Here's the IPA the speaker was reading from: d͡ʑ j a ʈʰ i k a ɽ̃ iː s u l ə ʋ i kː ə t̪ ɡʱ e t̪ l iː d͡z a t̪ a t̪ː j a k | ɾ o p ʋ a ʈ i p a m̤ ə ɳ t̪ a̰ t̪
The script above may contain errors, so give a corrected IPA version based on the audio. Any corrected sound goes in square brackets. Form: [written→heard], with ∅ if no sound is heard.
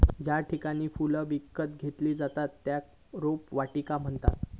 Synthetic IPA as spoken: d͡ʑ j a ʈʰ i k a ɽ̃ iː [s→f] u l ə ʋ i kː ə t̪ ɡʱ e t̪ l iː d͡z a t̪ a t̪ː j a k | ɾ o p ʋ a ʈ i [p→k] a m̤ ə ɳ t̪ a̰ t̪

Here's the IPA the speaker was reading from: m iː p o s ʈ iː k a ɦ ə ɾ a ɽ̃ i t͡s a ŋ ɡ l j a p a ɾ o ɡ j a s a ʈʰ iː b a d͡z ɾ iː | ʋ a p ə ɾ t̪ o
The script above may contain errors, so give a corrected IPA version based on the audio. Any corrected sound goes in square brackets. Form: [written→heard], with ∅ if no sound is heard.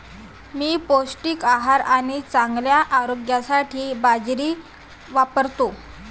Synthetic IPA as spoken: m iː p o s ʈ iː k a ɦ [ə→a] ɾ a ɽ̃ i t͡s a ŋ ɡ l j a [p→ʔ] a ɾ o ɡ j a s a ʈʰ iː b a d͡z ɾ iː | ʋ a p ə ɾ t̪ o

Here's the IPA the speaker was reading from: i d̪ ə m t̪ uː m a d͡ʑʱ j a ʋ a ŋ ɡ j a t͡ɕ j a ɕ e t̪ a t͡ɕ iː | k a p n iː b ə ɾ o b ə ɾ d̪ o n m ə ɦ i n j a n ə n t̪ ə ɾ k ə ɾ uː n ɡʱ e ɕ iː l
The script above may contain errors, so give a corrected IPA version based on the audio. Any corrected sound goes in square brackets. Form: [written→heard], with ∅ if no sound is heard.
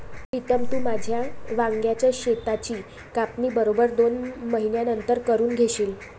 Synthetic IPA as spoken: i [d̪→t̪] ə m t̪ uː m a d͡ʑʱ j a ʋ a ŋ ɡ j a t͡ɕ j a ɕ e t̪ a t͡ɕ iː | k a p n iː b ə ɾ o b ə ɾ d̪ o n m ə ɦ i n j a n ə n t̪ ə ɾ k ə ɾ uː n ɡʱ e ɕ iː l

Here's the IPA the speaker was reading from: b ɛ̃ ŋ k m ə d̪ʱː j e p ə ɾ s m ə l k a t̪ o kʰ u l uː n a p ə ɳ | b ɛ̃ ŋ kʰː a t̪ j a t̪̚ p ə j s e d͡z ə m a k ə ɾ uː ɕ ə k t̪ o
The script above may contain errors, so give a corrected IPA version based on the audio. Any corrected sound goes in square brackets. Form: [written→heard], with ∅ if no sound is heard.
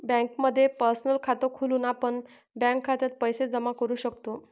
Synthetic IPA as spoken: b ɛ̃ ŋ k m ə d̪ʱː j e p ə ɾ s [m→n] ə l [k→kʰ] a t̪ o kʰ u l uː n a p ə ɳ | b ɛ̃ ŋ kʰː a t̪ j a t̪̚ p ə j s e d͡z ə m a k ə ɾ uː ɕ ə k t̪ o

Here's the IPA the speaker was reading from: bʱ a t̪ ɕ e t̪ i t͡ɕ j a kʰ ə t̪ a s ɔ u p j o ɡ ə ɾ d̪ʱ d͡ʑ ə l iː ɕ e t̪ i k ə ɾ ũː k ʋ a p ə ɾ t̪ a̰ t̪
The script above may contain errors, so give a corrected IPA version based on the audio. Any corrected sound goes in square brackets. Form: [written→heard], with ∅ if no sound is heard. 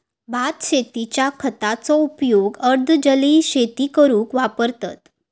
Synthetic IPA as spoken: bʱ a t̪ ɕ e t̪ i t͡ɕ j a kʰ ə t̪ a [s→t͡s] ɔ u p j o ɡ ə ɾ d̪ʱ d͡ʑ ə l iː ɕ e t̪ i k ə ɾ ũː k ʋ a p ə ɾ t̪ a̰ t̪

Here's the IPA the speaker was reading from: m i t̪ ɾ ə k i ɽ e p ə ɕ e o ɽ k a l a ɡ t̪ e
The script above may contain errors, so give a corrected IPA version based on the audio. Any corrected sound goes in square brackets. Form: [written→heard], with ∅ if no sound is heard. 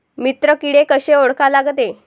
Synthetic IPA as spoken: m i t̪ ɾ ə k i ɽ e [p→k] ə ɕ e o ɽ k a l a ɡ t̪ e

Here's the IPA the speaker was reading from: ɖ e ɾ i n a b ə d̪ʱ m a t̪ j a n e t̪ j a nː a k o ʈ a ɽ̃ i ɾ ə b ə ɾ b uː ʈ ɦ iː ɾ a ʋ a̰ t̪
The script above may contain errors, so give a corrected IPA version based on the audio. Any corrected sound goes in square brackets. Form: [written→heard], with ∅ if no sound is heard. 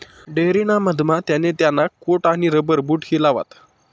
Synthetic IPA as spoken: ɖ e ɾ i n a [b→m] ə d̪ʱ m a t̪ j a n e t̪ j a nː a k o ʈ a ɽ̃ i ɾ ə b ə ɾ b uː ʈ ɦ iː [ɾ→l] a ʋ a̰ t̪

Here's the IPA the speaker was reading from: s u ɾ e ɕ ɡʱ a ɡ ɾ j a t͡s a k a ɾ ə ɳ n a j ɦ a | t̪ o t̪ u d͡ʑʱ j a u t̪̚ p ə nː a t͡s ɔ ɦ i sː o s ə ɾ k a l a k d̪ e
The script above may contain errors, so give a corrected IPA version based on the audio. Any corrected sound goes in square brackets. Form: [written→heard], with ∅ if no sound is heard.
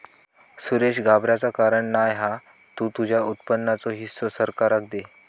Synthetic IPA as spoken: s u ɾ e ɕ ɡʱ a [ɡ→b] ɾ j a t͡s a k a ɾ ə ɳ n a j ɦ a | t̪ [o→u] t̪ u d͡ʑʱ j a u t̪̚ p ə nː a t͡s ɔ ɦ i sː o s ə ɾ k a [l→ɾ] a k d̪ e

